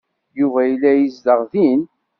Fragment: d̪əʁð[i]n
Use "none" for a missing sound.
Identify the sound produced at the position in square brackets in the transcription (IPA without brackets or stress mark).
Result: i